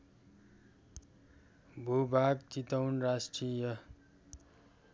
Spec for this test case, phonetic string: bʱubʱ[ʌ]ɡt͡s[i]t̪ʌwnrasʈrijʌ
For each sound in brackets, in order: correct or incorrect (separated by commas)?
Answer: incorrect, correct